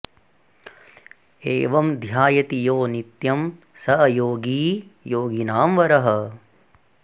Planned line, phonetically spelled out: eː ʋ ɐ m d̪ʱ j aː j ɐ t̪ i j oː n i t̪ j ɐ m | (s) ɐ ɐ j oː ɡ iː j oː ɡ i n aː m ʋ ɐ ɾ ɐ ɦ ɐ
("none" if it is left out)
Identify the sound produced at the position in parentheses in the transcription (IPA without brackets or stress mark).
s